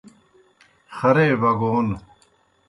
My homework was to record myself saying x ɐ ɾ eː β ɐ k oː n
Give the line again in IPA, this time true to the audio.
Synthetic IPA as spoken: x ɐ ɾ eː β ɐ ɡ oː n